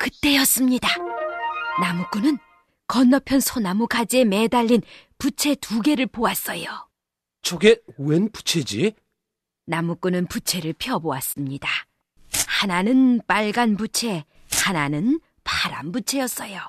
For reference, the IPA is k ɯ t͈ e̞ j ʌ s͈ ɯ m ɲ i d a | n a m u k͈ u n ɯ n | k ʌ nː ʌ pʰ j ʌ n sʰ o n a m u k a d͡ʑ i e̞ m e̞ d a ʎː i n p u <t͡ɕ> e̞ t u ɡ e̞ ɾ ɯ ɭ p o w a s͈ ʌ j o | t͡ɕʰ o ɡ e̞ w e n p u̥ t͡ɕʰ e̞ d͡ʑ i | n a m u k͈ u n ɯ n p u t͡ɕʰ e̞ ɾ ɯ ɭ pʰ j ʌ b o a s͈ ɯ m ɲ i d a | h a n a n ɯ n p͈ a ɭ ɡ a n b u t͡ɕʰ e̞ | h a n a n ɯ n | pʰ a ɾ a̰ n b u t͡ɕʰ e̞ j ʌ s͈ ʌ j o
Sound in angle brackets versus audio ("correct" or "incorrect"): incorrect